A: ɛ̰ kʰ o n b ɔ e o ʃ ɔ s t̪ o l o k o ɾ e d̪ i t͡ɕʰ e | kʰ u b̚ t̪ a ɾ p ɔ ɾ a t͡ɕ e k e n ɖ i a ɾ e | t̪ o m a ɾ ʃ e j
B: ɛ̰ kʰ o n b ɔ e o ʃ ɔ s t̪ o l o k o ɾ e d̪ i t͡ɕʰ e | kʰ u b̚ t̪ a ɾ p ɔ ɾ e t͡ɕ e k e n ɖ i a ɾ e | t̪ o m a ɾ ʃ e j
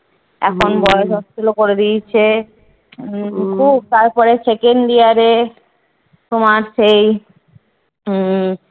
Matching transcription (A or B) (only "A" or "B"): B